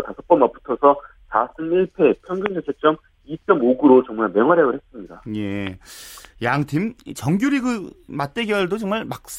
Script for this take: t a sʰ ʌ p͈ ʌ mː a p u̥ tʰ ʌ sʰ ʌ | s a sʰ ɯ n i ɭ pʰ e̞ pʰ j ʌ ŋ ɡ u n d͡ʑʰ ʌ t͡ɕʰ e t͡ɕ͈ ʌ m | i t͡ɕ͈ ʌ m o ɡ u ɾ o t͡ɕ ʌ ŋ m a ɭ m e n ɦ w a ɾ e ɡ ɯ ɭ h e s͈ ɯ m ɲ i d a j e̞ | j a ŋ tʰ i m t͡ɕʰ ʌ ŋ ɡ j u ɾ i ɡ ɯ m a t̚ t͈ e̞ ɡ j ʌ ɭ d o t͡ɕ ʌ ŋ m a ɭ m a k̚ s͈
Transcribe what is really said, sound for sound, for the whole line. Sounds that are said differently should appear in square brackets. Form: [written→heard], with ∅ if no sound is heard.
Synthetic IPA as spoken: t a sʰ ʌ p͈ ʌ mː a p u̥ tʰ ʌ sʰ ʌ | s a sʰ ɯ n i ɭ pʰ e̞ pʰ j ʌ ŋ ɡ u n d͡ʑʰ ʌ t͡ɕʰ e t͡ɕ͈ ʌ m | i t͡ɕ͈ ʌ m o ɡ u ɾ o t͡ɕ ʌ ŋ m a ɭ m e [n→ŋ] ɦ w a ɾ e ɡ ɯ ɭ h e s͈ ɯ m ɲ i d a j e̞ | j a ŋ tʰ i m [t͡ɕʰ→t͡ɕ] ʌ ŋ ɡ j u ɾ i ɡ ɯ m a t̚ t͈ e̞ ɡ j ʌ ɭ d o t͡ɕ ʌ ŋ m a ɭ m a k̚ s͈